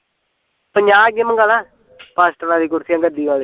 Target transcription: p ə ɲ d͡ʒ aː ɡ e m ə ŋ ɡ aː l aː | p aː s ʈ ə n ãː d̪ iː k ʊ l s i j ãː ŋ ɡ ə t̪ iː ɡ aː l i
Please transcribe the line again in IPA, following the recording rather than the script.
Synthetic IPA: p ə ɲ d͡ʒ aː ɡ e m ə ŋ ɡ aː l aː | p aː s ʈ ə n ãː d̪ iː k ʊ ɾ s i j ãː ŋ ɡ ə d̪ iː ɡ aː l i

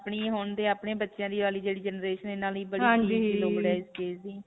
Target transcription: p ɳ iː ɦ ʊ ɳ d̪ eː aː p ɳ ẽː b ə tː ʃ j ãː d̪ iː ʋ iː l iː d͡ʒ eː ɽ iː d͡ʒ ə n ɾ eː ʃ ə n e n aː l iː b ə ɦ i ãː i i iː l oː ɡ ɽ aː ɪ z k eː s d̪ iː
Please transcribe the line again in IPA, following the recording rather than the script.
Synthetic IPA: p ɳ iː ɦ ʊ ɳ d̪ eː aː p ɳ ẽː b ə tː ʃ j ãː d̪ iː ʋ aː l iː d͡ʒ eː ɽ iː d͡ʒ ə n ɾ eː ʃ ə n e n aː l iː b ə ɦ i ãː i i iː l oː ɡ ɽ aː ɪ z k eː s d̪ iː

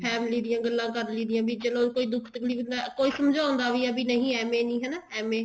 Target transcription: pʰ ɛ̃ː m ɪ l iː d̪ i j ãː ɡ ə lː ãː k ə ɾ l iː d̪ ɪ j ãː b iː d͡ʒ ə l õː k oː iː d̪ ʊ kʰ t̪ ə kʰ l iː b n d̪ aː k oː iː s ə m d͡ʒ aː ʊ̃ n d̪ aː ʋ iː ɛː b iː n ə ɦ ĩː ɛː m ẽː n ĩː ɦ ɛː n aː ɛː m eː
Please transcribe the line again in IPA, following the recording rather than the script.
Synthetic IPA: pʰ ɛː m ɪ l iː d̪ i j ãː ɡ ə lː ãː k ə ɾ l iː d̪ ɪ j ãː b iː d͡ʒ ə l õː k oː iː d̪ ʊ kʰ t̪ ə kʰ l iː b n d̪ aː k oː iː s ə m d͡ʒ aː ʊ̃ n d̪ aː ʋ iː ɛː b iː n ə ɦ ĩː ɛː m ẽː n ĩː ɦ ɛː n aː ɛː m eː

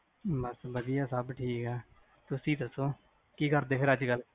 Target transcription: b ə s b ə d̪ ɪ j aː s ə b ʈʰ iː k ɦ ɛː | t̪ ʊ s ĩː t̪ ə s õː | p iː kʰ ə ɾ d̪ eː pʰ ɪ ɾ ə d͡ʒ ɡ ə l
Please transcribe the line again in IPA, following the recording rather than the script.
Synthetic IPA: b ə s b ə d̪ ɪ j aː s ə b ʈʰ iː k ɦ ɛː | t̪ ʊ s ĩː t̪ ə s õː | k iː k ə ɾ d̪ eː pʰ ɪ ɾ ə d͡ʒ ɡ ə l

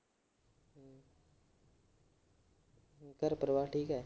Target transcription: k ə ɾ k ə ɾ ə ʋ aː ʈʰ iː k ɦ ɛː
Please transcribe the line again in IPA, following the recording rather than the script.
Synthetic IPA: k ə ɾ p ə ɾ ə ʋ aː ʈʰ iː k ɦ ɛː

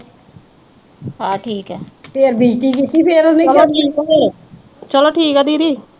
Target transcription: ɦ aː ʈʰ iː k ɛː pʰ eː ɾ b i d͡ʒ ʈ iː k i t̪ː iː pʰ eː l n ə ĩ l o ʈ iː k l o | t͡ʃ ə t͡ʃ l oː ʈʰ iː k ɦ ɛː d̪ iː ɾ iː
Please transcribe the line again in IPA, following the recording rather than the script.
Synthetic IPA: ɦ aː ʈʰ iː k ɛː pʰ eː ɾ b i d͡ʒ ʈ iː k i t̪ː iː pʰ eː ɾ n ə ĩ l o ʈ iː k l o | t͡ʃ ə l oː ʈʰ iː k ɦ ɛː d̪ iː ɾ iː

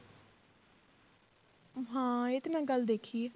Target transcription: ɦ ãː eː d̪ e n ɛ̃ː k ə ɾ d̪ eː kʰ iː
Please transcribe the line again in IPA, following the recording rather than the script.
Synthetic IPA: ɦ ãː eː t̪ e m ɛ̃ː ɡ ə l d̪ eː kʰ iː

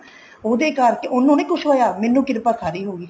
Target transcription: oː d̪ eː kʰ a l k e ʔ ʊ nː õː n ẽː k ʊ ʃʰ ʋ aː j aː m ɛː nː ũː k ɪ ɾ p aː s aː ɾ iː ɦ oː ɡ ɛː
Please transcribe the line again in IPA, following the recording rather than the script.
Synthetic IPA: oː d̪ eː k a ɾ k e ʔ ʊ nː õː n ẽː k ʊ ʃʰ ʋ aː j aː m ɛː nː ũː k ɪ ɾ p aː s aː ɾ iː ɦ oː ɡ iː

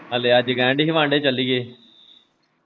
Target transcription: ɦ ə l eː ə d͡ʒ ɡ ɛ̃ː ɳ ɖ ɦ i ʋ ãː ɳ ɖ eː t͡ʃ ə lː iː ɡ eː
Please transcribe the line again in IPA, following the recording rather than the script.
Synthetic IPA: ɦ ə l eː ə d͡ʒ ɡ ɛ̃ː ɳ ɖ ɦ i ʋ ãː ɳ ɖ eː t͡ʃ ə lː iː ɡ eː

